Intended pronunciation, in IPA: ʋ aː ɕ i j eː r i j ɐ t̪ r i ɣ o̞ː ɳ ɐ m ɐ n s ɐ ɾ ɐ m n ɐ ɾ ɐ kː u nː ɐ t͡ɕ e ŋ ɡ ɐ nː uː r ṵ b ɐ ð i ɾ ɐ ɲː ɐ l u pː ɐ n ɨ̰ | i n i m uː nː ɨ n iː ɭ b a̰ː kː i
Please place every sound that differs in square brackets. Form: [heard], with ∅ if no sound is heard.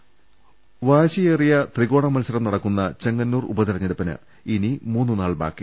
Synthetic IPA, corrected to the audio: ʋ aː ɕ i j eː r i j ɐ t̪ r i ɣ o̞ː ɳ ɐ m ɐ n s ɐ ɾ ɐ m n ɐ [ɽ] ɐ kː u nː ɐ t͡ɕ e ŋ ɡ ɐ nː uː r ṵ b ɐ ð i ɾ ɐ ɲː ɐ [ɽ] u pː ɐ n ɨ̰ | i n i m uː nː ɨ n [aː] ɭ b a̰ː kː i